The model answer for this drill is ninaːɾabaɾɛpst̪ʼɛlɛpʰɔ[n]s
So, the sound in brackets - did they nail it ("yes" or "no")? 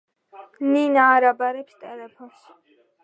yes